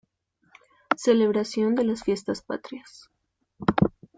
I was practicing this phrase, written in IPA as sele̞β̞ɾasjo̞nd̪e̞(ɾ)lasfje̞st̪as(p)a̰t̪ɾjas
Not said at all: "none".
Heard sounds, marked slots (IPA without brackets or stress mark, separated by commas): none, p